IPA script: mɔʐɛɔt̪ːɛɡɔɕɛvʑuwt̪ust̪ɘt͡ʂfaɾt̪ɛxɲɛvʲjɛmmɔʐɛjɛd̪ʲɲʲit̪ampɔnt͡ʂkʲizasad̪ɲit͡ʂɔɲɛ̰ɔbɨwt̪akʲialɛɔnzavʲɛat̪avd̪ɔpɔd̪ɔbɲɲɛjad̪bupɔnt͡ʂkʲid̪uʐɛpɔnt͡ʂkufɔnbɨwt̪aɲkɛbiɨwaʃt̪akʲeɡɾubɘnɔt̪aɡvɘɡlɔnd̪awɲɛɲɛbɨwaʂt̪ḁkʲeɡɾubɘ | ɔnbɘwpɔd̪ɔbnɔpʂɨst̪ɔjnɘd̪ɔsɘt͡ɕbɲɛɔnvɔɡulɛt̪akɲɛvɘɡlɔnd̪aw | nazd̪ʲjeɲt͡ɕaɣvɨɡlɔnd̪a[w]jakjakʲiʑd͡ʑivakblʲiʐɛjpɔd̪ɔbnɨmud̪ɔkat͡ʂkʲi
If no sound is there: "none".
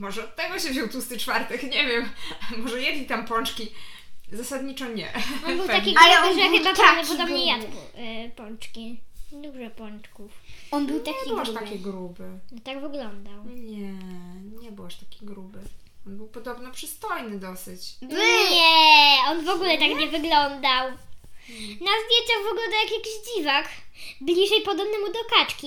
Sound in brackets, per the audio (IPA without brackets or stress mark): w